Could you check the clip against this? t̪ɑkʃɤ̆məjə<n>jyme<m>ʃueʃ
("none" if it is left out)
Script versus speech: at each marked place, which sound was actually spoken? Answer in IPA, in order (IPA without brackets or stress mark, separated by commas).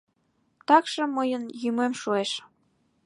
n, m